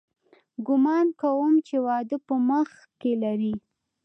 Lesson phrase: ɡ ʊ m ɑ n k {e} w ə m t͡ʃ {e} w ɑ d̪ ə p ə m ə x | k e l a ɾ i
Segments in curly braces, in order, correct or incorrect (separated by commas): incorrect, correct